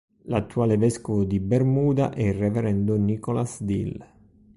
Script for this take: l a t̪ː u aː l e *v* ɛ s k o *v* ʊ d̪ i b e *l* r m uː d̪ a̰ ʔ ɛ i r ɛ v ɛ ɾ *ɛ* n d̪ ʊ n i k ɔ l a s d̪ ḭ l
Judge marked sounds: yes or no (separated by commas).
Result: yes, yes, no, yes